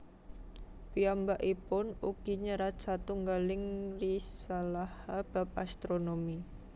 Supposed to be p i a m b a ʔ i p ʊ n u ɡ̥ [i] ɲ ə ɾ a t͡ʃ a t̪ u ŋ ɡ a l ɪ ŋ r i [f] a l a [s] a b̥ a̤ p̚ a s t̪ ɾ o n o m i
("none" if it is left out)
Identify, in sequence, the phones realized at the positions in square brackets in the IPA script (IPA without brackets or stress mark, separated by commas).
i, s, h